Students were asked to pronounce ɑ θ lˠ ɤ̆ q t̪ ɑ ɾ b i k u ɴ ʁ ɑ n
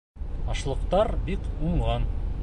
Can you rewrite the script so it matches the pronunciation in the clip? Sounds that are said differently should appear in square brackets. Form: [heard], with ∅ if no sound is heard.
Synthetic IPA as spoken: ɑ [ʃ] lˠ ɤ̆ q t̪ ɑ ɾ b i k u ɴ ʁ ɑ n

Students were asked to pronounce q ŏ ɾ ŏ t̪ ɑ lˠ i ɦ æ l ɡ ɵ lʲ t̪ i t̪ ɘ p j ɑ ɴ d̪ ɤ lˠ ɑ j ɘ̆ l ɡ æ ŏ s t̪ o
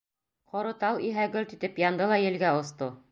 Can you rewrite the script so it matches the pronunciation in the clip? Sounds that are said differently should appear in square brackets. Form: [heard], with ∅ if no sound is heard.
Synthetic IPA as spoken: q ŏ ɾ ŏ t̪ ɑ lˠ i ɦ æ [∅] ɡ ɵ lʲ t̪ i t̪ ɘ p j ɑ [n] d̪ ɤ lˠ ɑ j ɘ̆ l ɡ æ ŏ s t̪ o

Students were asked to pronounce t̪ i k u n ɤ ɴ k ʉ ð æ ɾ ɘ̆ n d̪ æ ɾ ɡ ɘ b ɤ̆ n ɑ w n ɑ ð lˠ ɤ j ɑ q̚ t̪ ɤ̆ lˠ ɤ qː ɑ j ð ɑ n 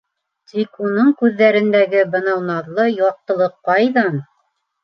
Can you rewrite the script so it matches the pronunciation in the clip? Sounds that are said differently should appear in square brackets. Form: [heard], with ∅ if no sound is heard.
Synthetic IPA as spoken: t̪ i k u n ɤ ɴ k ʉ [ðː] æ ɾ ɘ̆ n d̪ æ [∅] ɡ ɘ b ɤ̆ n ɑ w n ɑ ð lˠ ɤ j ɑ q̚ t̪ ɤ̆ lˠ ɤ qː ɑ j ð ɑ n

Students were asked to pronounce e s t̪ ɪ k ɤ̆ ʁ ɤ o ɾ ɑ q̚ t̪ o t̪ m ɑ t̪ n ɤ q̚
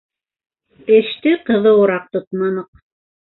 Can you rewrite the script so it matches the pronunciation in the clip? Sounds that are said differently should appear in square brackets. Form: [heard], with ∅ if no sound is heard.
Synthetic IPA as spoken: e [ʃ] t̪ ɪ [q] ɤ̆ [ð] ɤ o ɾ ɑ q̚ t̪ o t̪ m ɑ [∅] n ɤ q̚

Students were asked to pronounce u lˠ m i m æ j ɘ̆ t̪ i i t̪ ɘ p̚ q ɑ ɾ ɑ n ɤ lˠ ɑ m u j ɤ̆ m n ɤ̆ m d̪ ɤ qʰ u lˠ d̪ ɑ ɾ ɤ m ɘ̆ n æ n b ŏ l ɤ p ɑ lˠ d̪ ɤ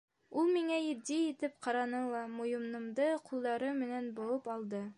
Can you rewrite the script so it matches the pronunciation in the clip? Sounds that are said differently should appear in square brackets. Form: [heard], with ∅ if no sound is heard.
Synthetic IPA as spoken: u lˠ m i [ŋ] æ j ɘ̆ [d̪] i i t̪ ɘ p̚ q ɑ ɾ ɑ n ɤ lˠ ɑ m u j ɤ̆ m n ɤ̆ m d̪ ɤ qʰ u lˠ d̪ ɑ ɾ ɤ m ɘ̆ n æ n b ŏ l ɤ p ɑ lˠ d̪ ɤ

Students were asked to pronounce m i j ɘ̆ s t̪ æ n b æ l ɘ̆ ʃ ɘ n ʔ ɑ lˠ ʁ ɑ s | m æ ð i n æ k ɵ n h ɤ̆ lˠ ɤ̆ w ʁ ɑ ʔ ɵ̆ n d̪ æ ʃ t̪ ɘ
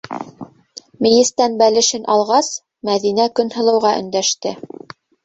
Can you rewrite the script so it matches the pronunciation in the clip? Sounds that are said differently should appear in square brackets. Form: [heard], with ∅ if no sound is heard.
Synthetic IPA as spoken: m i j ɘ̆ s t̪ æ n b æ l ɘ̆ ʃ ɘ n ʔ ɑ lˠ ʁ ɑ s | m æ ð i n æ k ɵ n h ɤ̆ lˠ ɤ̆ w ʁ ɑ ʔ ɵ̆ n d̪ æ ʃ t̪ ɘ

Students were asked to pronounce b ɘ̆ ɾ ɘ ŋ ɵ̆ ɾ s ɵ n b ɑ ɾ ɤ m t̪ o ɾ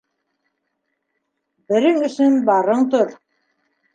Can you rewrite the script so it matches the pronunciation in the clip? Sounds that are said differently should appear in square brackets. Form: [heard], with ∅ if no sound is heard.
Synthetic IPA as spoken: b ɘ̆ ɾ ɘ ŋ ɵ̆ [∅] s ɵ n b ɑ ɾ ɤ [ɴ] t̪ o ɾ

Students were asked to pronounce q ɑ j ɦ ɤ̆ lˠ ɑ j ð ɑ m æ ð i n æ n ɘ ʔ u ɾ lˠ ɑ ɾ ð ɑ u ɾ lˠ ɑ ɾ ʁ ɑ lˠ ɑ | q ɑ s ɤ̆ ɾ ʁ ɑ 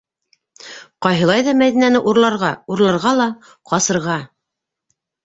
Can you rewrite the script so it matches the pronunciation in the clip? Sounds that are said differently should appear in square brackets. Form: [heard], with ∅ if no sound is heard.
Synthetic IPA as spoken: q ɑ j ɦ ɤ̆ lˠ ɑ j ð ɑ m æ ð i n æ n ɘ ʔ u ɾ lˠ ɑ ɾ [ʁ] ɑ u ɾ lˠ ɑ ɾ ʁ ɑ lˠ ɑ | q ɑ s ɤ̆ ɾ ʁ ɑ

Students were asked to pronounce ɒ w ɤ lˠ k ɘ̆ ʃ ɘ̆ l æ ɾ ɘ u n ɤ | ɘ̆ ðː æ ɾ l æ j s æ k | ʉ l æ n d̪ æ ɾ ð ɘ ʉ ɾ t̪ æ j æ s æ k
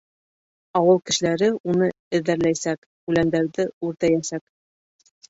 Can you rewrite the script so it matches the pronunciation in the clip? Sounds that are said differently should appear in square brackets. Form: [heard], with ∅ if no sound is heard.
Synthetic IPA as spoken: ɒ w ɤ lˠ k ɘ̆ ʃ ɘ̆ l æ ɾ ɘ u n ɤ | ɘ̆ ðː æ ɾ l æ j s æ k | ʉ l æ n d̪ æ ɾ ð ɘ ʉ ɾ t̪ æ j æ s æ k

